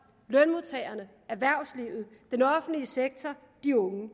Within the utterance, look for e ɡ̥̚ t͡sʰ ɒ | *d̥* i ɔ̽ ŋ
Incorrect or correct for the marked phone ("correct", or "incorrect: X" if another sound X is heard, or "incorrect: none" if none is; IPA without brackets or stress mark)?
correct